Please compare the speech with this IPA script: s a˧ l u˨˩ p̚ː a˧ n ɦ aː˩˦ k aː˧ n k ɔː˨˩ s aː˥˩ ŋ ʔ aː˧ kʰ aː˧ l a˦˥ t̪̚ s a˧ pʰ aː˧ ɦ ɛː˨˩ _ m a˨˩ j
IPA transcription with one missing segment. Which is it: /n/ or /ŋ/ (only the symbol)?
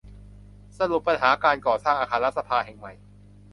ŋ